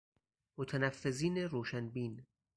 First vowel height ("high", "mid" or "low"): mid